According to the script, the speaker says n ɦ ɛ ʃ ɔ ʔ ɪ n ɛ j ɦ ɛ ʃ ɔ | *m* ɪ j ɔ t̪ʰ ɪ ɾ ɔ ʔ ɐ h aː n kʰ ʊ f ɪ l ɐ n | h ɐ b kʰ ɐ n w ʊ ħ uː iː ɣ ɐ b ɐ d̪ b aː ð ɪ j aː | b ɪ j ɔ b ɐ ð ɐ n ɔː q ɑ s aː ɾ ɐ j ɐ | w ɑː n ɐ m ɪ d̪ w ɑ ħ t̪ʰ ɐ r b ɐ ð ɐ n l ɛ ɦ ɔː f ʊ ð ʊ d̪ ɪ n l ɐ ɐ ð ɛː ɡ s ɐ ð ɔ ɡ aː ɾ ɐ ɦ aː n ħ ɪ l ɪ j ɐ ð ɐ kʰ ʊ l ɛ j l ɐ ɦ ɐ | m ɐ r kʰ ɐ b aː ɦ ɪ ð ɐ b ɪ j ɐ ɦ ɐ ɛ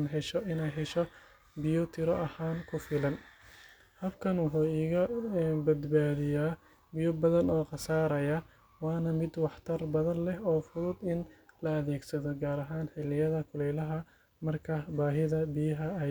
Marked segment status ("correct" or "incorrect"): incorrect